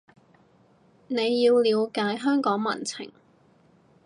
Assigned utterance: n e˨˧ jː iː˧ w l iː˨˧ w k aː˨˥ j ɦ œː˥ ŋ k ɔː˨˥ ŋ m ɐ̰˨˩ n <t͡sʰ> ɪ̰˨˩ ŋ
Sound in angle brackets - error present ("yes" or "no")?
no